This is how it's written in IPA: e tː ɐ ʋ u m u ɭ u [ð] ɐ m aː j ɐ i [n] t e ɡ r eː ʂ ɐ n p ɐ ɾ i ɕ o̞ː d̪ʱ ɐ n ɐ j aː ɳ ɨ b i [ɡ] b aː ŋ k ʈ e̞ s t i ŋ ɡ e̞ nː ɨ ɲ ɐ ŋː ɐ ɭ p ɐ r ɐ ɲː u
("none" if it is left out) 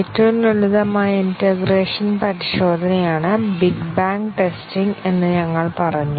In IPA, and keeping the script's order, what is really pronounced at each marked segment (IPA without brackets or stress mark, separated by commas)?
ð, n, ɡ